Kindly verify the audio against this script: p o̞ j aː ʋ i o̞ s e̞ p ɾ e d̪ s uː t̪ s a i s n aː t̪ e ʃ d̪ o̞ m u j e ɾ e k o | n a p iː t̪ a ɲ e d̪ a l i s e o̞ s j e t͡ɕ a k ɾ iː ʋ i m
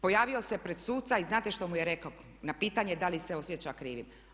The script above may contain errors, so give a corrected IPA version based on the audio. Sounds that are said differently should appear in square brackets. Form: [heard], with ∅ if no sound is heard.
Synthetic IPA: p o̞ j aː ʋ i o̞ s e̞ p ɾ e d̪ s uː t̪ s a i [z] n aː t̪ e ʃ [t̪] o̞ m u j e ɾ e k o | n a p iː t̪ a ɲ e d̪ a l i s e o̞ s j e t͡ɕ a k ɾ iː ʋ i m